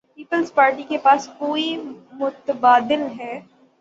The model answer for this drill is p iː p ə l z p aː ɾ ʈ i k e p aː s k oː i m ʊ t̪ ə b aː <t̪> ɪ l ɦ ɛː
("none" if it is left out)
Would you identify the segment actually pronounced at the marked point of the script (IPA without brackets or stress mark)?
d̪